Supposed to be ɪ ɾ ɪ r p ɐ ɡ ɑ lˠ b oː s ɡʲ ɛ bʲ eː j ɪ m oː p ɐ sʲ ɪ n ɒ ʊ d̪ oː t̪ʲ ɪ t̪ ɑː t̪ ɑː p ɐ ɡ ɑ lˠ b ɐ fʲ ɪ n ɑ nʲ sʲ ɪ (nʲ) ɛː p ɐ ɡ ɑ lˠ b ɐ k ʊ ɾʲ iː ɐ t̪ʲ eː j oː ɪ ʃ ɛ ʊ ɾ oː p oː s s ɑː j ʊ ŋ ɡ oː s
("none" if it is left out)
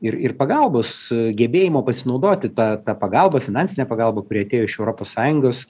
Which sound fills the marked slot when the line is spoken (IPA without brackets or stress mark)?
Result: nʲ